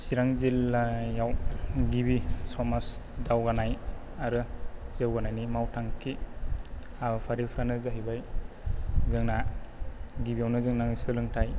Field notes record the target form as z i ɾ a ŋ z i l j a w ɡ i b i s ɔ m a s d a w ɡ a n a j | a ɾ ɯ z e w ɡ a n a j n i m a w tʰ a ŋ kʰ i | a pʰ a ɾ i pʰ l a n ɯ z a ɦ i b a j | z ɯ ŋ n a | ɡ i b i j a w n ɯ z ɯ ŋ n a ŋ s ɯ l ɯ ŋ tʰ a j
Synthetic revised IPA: s i ɾ a ŋ z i l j a w ɡ i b i s ɔ m a s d a w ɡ a n a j | a ɾ ɯ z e w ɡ a n a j n i m a w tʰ a ŋ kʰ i | a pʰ a ɾ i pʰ ɾ a n ɯ z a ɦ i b a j | z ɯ ŋ n a | ɡ i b i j a w n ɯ z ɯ ŋ n a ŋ s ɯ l ɯ ŋ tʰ a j

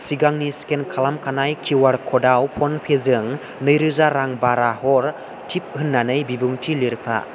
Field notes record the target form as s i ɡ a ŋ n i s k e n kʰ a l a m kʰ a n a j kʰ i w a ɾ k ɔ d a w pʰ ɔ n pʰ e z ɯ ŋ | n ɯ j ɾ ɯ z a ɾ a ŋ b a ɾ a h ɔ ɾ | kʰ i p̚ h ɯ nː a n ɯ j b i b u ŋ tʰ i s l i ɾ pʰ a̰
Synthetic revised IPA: s i ɡ a ŋ n i s k e n kʰ a l a m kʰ a n a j kʰ i w a ɾ kʰ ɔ d a w pʰ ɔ n pʰ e z ɯ ŋ | n ɯ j ɾ ɯ z a ɾ a ŋ b a ɾ a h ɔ ɾ | tʰ i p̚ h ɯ nː a n ɯ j b i b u ŋ tʰ i l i ɾ pʰ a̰

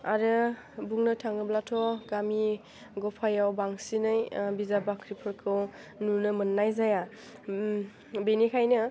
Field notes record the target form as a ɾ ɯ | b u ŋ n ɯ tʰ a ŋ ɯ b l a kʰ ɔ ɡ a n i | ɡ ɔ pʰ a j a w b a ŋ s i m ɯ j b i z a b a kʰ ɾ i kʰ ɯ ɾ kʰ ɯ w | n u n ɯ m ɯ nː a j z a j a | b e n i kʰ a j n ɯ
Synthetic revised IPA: a ɾ ɯ | b u ŋ n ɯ tʰ a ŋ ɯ b l a tʰ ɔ ɡ a m i | ɡ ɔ pʰ a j a w b a ŋ s i n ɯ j b i z a b a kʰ ɾ i pʰ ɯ ɾ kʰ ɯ w | n u n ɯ m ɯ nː a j z a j a | b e n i kʰ a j n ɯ

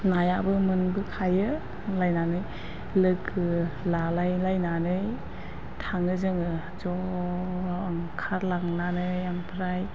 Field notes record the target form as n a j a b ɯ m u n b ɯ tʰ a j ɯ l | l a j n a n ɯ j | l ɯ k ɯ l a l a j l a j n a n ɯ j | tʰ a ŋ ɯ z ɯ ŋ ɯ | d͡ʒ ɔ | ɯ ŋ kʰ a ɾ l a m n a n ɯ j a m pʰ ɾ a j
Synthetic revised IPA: n a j a b ɯ m ɯ n b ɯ kʰ a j ɯ | l a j n a n ɯ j | l ɯ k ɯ l a l a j l a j n a n ɯ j | tʰ a ŋ ɯ z ɯ ŋ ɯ | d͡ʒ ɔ | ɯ ŋ kʰ a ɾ l a ŋ n a n ɯ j a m pʰ ɾ a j

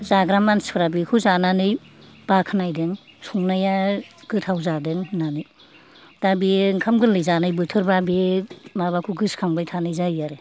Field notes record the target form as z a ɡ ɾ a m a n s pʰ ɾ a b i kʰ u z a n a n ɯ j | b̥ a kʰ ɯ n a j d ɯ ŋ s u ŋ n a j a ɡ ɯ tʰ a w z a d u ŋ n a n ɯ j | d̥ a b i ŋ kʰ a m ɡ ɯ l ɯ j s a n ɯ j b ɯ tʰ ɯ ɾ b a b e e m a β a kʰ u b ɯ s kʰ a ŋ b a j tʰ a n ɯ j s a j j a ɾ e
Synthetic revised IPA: z a ɡ ɾ a m a n s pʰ ɾ a b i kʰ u z a n a n ɯ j | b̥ a kʰ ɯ n a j d ɯ ŋ s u ŋ n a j a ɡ ɯ tʰ a w z a d ɯ ŋ n a n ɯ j | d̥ a b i ŋ kʰ a m ɡ ɯ l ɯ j z a n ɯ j b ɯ tʰ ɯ ɾ b a b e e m a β a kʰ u ɡ ɯ s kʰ a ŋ b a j tʰ a n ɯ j z a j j a ɾ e

